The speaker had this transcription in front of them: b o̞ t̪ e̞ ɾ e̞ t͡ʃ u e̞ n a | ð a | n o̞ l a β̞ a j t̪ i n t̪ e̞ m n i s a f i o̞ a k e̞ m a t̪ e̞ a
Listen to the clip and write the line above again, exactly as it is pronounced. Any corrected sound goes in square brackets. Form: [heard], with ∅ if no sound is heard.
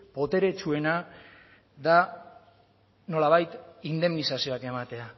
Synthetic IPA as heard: [p] o̞ t̪ e̞ ɾ e̞ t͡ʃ u e̞ n a | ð a | n o̞ l a β̞ a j t̪ i n [d̪] e̞ m n i s a [s] i o̞ a k e̞ m a t̪ e̞ a